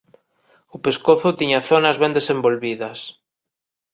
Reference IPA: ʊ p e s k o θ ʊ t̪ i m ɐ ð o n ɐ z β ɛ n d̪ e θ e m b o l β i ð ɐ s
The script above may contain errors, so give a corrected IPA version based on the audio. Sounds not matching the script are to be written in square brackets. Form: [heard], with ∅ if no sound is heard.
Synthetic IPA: ʊ p e s k o θ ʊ t̪ i [ɲ] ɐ [θ] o n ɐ z β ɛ n d̪ e [s] e m b o l β i ð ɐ s